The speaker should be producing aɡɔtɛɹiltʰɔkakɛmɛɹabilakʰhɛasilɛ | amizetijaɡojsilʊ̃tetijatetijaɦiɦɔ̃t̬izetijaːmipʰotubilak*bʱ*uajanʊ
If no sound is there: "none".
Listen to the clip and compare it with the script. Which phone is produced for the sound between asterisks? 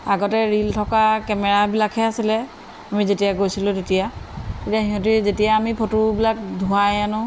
dʱ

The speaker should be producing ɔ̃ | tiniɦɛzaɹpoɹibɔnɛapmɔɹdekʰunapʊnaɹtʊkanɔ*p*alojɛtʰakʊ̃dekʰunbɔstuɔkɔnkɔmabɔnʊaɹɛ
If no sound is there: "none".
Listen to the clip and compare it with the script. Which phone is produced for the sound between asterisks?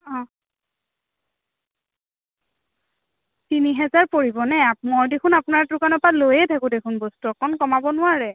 p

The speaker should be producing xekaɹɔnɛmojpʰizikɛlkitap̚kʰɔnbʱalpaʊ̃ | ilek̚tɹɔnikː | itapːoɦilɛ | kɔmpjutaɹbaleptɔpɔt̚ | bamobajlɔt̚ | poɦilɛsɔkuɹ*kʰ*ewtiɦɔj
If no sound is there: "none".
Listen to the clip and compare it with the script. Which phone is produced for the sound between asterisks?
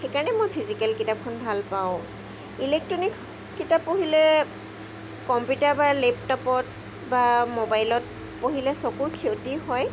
kʰ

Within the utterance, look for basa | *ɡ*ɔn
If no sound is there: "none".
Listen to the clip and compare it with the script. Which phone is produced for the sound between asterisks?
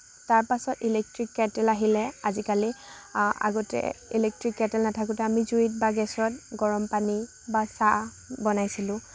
b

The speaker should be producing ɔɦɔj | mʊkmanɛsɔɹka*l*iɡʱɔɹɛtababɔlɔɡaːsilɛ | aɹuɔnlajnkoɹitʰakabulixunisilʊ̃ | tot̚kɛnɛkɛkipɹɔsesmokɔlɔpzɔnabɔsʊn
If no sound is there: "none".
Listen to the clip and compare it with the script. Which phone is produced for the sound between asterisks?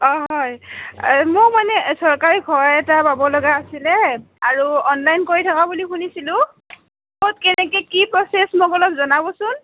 ɹ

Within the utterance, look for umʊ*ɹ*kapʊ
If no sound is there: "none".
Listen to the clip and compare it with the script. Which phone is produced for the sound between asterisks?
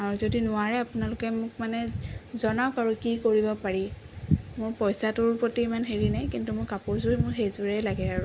ɹ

